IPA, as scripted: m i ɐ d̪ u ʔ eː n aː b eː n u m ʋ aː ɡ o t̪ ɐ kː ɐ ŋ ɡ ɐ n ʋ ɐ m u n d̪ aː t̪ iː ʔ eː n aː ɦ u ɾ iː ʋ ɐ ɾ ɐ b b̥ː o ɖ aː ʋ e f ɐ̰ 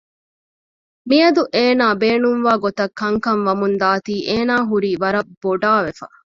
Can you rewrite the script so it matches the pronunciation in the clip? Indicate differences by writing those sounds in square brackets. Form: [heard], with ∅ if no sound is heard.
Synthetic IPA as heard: m i ɐ d̪ u ʔ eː n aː b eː n u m ʋ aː ɡ o t̪ ɐ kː ɐ ŋ [k] ɐ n ʋ ɐ m u n d̪ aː t̪ iː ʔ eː n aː ɦ u ɾ iː ʋ ɐ ɾ ɐ b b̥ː o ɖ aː ʋ e f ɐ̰